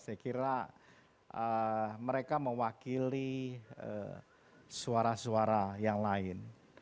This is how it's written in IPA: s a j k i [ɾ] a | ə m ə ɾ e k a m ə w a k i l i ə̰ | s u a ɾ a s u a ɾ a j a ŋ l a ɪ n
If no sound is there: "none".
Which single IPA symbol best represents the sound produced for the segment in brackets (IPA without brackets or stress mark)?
ɾ